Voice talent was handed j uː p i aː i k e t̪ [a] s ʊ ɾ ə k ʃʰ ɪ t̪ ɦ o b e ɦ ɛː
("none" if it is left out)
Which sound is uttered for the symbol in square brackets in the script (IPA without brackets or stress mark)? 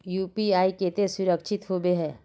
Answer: e